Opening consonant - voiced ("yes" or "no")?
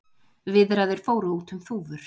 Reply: yes